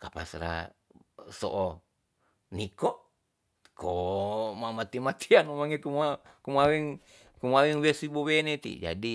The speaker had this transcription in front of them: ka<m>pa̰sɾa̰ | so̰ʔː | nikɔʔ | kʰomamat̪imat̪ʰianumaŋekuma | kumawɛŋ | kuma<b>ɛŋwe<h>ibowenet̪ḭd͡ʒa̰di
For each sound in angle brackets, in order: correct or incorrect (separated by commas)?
incorrect, incorrect, incorrect